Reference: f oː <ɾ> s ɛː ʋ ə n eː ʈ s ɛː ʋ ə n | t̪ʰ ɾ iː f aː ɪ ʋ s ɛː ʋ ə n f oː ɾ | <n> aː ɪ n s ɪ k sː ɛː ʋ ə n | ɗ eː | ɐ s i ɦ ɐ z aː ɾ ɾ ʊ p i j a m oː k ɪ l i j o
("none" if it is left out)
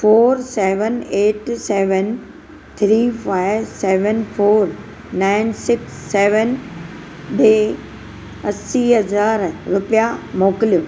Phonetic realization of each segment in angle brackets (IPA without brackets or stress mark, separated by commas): ɾ, n